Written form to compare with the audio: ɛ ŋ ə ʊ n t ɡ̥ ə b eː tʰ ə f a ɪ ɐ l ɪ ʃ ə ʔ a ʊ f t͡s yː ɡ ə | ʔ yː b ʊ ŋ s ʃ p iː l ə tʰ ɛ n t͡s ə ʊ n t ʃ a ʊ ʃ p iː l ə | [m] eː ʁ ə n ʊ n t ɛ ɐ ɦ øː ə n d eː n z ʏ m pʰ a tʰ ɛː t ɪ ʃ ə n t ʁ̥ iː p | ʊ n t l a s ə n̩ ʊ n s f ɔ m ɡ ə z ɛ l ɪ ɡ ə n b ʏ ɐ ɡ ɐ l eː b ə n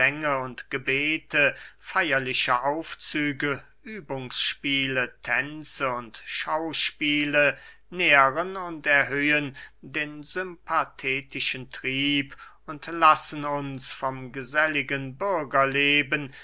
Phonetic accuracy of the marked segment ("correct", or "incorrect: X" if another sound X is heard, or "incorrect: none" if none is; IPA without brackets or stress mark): incorrect: n